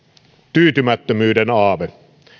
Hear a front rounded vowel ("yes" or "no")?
yes